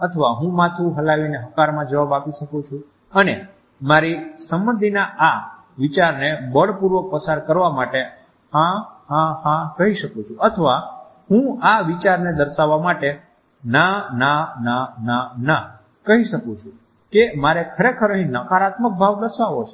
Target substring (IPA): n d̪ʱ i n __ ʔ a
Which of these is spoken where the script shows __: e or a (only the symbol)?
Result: a